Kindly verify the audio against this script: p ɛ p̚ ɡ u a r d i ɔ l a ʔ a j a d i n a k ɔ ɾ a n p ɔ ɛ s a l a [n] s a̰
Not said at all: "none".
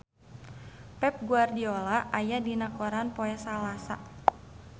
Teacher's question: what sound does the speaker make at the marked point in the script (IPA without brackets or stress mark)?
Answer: none